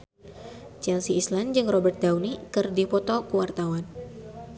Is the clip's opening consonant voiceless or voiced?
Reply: voiceless